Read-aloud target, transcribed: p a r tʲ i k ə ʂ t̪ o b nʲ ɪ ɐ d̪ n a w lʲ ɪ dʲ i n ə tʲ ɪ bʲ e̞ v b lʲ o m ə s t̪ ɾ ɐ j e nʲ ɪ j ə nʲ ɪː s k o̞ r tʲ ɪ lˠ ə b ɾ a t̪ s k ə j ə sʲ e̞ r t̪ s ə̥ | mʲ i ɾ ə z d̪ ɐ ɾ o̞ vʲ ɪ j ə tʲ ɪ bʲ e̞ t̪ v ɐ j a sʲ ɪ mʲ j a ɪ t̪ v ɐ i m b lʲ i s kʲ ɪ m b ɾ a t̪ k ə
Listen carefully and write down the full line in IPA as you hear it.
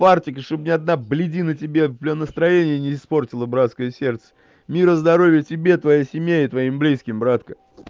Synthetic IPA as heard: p a r tʲ ɪ k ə ʂ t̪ o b nʲ ɪ ɐ d̪ n a b lʲ ɪ dʲ i n ə tʲ ɪ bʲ e̞ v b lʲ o n ə s t̪ ɾ ɐ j e nʲ ɪ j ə nʲ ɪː s p o̞ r tʲ ɪ lˠ ə b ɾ a t̪ s k ə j ə sʲ e̞ r t̪ s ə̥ | mʲ i ɾ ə z d̪ ɐ ɾ o̞ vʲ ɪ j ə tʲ ɪ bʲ e̞ t̪ v ɐ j a sʲ ɪ mʲ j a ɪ t̪ v ɐ i m b lʲ i s kʲ ɪ m b ɾ a t̪ k ə

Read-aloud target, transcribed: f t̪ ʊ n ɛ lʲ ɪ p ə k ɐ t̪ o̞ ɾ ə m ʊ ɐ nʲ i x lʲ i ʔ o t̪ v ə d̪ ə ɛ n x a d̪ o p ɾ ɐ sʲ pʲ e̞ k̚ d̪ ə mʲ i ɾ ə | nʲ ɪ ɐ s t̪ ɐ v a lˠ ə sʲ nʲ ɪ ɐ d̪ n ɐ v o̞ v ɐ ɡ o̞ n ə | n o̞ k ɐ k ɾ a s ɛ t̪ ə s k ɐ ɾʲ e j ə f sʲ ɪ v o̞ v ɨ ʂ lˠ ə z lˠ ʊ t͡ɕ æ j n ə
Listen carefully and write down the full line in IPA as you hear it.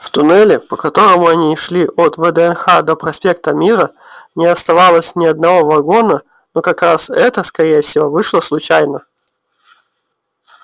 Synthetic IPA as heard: f t̪ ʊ n ɛ lʲ ɪ p ə k ɐ t̪ o̞ ɾ ə m ʊ ɐ nʲ i ʂ lʲ i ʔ o t̪ v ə d̪ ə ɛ n x a d̪ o p ɾ ɐ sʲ pʲ e̞ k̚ t̪ ə mʲ i ɾ ə | nʲ ɪ ɐ s t̪ ɐ v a lˠ ə sʲ nʲ ɪ ɐ d̪ n ɐ v o̞ v ɐ ɡ o̞ n ə | n o̞ k ɐ k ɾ a s ɛ t̪ ə s k ɐ ɾʲ e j ə f sʲ ɪ v o̞ v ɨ ʂ lˠ ə s lˠ ʊ t͡ɕ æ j n ə

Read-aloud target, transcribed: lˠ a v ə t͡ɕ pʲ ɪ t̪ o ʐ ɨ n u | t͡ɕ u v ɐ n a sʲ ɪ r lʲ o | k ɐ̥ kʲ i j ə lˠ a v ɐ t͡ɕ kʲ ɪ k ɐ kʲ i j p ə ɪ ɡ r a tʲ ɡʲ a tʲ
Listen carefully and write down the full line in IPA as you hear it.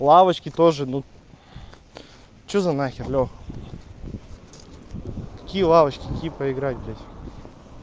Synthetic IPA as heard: lˠ a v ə t͡ɕ kʲ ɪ t̪ o ʐ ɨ n u | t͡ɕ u z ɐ n a xʲ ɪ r lʲ o | k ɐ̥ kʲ i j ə lˠ a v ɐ t͡ɕ kʲ ɪ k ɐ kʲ i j p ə ɪ ɡ ɾ a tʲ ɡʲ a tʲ

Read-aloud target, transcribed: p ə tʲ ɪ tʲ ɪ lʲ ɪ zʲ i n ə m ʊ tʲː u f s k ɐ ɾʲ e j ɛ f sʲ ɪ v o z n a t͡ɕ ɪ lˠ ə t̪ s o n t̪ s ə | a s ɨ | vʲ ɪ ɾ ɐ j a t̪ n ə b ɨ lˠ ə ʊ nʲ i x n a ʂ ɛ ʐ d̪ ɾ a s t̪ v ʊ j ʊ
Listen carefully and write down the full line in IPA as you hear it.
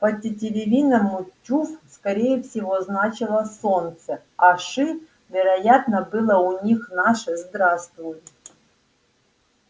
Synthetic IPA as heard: p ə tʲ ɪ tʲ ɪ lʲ ɪ vʲ i n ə m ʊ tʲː u f s k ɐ ɾʲ e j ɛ f sʲ ɪ v o z n a t͡ɕ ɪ lˠ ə s o n t̪ s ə | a ʂ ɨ | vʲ ɪ ɾ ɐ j a t̪ n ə b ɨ lˠ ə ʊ nʲ i x n a ʂ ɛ z d̪ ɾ a s t̪ v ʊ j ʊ

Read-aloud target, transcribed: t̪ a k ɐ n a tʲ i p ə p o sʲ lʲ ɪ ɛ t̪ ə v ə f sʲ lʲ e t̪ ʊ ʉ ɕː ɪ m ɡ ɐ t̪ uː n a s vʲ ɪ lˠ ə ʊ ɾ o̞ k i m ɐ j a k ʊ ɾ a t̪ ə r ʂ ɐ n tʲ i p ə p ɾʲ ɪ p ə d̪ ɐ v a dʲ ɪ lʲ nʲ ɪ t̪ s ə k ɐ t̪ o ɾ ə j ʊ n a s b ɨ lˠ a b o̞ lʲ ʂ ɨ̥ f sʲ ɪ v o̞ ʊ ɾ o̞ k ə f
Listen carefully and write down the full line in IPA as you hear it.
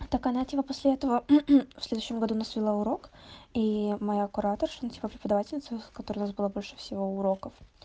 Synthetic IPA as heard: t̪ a k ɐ n a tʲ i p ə p o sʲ lʲ ɪ ɛ t̪ ə v ə f sʲ lʲ e d̪ ʊ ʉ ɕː ɪ m ɡ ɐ d̪ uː n a s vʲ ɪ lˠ a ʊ ɾ o̞ k i m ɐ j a k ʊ ɾ a t̪ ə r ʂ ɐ n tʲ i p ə p ɾʲ ɪ p ə d̪ ɐ v a tʲ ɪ lʲ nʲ ɪ t̪ s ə k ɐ t̪ o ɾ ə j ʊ n a s b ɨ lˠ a b o̞ lʲ ʂ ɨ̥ f sʲ ɪ v o̞ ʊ ɾ o̞ k ə f

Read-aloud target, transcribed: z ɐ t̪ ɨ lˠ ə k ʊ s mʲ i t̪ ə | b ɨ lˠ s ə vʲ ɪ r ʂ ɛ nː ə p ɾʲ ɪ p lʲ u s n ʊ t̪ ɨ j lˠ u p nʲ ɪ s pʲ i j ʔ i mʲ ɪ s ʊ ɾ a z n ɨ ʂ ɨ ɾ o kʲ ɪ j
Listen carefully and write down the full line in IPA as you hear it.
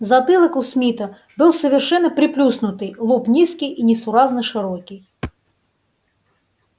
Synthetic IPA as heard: z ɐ t̪ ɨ lˠ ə k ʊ s mʲ i t̪ ə | b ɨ lˠ s ə vʲ ɪ r ʂ ɛ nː ə p ɾʲ ɪ p lʲ u s n ʊ t̪ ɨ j lˠ u p nʲ i s kʲ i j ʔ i nʲ ɪ s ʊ ɾ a z n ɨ ʂ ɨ ɾ o kʲ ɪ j

